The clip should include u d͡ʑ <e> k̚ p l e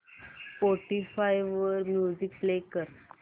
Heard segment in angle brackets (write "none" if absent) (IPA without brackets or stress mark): i